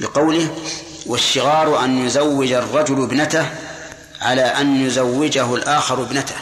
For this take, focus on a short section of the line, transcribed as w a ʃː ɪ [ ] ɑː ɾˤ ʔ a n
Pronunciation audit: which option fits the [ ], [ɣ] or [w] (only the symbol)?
ɣ